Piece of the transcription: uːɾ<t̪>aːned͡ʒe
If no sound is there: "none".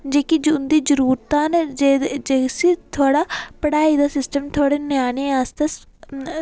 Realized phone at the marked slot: t̪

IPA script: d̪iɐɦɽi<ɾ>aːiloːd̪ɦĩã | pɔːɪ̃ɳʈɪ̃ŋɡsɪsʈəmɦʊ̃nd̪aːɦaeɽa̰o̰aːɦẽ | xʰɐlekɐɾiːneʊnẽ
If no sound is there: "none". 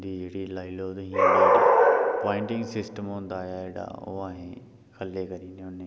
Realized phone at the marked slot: l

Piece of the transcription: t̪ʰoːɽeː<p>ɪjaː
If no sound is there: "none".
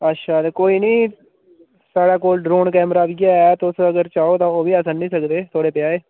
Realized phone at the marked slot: p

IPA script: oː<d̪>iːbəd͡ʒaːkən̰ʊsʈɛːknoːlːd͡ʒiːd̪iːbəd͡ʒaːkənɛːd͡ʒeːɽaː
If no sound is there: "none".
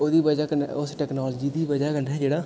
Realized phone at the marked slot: d̪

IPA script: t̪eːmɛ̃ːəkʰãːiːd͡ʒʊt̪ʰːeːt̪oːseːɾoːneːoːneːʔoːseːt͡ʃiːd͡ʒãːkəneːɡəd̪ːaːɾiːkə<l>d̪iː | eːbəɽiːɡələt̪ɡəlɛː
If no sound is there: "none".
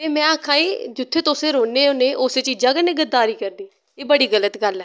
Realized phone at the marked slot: ɾ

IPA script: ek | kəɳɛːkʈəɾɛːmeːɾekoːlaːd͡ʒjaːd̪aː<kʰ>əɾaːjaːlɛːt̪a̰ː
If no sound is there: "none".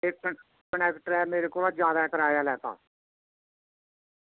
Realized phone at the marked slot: k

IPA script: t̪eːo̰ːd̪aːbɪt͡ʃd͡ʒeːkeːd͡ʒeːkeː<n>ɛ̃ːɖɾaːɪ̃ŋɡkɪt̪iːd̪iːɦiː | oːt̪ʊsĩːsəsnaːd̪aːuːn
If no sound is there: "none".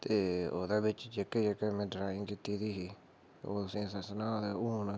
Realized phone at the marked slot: m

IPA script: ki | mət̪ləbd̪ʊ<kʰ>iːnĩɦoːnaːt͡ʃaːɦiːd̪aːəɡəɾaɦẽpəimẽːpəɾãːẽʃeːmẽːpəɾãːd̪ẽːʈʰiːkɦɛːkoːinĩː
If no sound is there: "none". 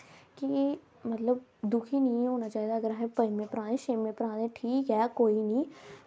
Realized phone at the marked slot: kʰ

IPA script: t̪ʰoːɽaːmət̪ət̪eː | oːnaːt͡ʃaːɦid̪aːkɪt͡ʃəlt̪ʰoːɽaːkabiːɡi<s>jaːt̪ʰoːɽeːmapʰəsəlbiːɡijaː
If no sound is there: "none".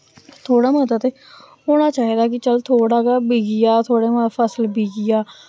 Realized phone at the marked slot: none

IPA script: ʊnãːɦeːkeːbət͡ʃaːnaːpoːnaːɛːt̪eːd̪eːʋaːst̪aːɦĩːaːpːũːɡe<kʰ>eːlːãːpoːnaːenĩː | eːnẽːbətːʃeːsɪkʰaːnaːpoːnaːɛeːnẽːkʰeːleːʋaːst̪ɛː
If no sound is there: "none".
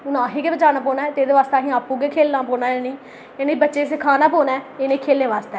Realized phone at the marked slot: kʰ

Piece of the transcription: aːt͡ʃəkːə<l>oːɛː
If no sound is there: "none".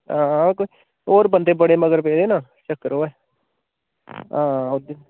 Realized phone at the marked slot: ɾ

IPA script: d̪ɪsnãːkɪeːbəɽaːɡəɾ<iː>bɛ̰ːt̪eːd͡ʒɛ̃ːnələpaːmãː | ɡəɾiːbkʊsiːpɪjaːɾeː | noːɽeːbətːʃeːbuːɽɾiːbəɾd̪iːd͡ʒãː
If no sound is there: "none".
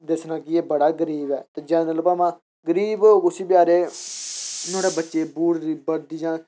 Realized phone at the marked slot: iː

